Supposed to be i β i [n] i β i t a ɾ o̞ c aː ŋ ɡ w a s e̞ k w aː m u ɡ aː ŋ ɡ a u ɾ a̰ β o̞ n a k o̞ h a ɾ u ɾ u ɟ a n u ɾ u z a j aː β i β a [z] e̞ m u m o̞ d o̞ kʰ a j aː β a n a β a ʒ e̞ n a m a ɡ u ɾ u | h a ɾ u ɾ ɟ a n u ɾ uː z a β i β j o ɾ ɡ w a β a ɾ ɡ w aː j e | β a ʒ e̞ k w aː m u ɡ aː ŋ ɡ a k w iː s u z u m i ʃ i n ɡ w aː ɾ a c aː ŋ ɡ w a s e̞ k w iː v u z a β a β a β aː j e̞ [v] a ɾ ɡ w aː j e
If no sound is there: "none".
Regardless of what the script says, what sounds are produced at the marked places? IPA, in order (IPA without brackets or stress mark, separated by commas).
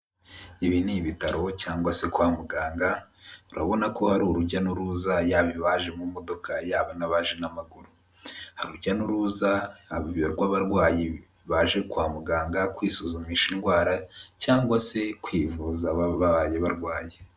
n, ʒ, β